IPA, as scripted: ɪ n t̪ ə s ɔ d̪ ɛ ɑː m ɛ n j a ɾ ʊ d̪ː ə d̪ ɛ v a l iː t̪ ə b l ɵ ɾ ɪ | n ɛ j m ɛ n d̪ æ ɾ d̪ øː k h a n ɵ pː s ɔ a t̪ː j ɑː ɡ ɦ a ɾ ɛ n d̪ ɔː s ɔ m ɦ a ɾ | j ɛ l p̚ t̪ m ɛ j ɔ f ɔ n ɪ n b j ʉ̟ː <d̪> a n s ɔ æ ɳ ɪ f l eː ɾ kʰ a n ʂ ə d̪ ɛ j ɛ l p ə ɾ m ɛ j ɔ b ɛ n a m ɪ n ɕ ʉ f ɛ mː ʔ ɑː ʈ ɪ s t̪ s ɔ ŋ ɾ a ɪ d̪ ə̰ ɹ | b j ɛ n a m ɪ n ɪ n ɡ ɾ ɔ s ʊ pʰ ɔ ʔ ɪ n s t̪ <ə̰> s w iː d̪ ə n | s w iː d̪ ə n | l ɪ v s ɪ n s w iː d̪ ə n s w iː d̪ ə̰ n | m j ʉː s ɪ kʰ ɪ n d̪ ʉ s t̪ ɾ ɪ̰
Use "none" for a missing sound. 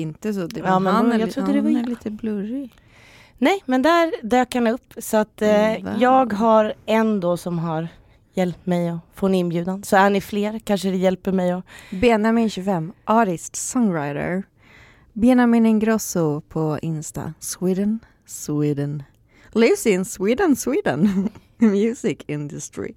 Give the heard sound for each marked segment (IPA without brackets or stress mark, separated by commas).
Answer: d̪, a̰